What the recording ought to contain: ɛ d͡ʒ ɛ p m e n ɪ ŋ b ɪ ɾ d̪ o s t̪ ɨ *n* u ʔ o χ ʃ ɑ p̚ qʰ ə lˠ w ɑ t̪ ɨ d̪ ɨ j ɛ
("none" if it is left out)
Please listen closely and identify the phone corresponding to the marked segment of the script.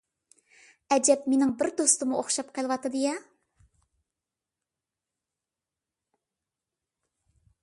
m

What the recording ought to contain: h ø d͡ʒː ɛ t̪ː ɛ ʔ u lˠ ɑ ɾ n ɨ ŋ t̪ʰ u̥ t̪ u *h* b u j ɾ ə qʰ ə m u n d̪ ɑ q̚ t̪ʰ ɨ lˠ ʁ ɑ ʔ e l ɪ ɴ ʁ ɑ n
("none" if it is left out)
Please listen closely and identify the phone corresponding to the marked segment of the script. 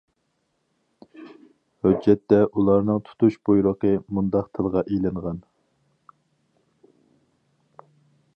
ʃ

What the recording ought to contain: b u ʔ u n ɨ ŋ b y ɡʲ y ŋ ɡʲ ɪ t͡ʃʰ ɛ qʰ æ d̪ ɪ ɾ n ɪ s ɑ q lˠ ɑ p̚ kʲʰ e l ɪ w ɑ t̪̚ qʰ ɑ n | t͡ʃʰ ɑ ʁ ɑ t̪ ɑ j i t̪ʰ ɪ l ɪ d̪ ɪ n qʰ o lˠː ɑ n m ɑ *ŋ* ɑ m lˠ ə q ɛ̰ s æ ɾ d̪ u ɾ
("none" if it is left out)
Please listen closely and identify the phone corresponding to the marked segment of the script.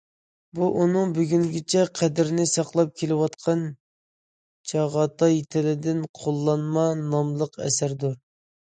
n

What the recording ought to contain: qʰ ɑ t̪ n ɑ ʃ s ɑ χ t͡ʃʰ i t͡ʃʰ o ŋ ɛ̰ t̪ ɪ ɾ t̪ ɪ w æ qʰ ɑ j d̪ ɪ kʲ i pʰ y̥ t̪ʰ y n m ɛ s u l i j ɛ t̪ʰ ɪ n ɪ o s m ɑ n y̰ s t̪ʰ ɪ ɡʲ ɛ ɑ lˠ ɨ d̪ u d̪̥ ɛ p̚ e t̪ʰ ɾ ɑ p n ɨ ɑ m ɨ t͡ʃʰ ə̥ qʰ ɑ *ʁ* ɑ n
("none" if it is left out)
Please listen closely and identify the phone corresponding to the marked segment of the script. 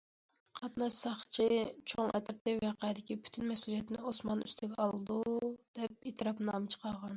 ʁ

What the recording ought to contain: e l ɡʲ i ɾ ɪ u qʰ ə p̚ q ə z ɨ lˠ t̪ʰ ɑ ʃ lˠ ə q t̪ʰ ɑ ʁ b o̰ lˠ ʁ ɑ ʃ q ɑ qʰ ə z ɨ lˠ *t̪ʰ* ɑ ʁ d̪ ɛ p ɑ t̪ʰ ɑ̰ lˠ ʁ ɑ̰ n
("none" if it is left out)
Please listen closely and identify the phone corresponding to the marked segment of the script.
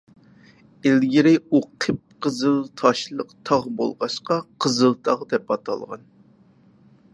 t̪ʰ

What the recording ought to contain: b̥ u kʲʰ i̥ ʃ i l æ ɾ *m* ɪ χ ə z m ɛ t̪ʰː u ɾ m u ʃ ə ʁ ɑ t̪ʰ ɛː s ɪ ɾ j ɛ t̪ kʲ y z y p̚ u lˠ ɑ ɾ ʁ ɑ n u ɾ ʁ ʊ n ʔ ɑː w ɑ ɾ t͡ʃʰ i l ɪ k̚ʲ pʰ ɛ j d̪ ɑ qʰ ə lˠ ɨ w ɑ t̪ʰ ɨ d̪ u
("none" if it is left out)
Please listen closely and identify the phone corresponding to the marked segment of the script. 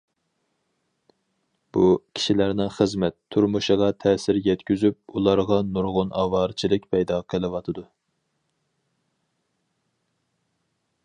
n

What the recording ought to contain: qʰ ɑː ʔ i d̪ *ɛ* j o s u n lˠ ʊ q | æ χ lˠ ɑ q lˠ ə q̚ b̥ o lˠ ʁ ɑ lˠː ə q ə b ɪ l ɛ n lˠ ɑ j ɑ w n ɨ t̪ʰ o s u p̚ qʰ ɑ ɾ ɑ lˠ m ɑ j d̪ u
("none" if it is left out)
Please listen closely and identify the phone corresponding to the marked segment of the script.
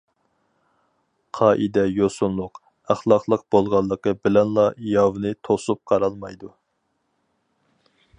ɛ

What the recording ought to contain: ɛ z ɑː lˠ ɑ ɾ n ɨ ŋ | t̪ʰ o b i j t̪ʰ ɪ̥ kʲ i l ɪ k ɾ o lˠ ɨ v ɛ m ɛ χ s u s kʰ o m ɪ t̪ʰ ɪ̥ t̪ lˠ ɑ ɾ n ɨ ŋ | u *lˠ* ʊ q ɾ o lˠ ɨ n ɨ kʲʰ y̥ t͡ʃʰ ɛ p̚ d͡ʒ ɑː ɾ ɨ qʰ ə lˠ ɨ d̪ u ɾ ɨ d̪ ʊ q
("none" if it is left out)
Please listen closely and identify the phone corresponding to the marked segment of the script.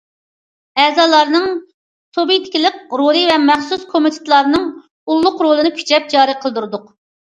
lˠː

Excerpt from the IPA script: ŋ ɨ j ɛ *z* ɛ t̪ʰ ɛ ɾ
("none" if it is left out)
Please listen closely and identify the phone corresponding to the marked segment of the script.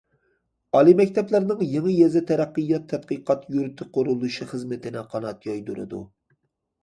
z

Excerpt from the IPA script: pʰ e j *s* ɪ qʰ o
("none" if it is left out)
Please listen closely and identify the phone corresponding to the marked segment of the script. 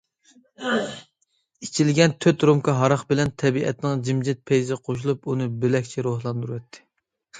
z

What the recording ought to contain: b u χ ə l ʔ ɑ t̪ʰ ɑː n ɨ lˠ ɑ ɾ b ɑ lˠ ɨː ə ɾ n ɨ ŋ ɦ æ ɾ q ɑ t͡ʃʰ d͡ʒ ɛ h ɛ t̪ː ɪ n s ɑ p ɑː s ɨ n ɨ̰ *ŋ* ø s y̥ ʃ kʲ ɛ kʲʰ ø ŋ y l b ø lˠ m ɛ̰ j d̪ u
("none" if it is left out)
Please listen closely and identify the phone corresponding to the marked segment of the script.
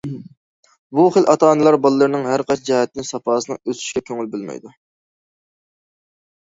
ŋ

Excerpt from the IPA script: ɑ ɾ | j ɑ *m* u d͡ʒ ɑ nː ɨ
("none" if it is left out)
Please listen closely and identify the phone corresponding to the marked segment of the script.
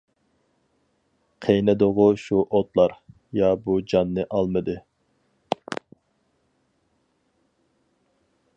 b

